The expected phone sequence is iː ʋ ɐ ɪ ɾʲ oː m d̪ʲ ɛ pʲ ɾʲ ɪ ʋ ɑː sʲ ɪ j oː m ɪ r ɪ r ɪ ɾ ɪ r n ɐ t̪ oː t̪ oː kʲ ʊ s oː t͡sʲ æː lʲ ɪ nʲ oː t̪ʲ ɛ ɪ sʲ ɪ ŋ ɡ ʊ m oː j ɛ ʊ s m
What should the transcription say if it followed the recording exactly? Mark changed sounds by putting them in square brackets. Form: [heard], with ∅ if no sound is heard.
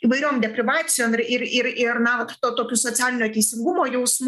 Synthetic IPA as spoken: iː ʋ ɐ ɪ ɾʲ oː m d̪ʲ ɛ pʲ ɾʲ ɪ ʋ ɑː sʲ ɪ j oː m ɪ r ɪ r ɪ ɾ ɪ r n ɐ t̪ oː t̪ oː kʲ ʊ s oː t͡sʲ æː lʲ ɪ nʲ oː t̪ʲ ɛ ɪ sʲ ɪ ŋ ɡ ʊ m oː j ɛ ʊ s m